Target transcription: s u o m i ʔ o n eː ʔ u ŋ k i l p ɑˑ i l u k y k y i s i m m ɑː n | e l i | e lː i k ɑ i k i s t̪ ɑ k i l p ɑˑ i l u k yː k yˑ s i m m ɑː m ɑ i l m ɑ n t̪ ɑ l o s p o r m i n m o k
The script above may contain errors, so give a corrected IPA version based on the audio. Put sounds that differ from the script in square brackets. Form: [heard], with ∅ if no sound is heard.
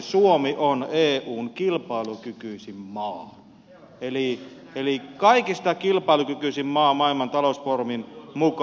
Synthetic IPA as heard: s u o m i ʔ o n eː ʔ [uː] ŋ k i l p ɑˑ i l u k y k y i s i m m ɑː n | e l i | e [l] i k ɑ i k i s t̪ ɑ k i l p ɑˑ i l u k [y] k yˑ s i m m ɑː m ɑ i l m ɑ n t̪ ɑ l o s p o r m i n m [u] k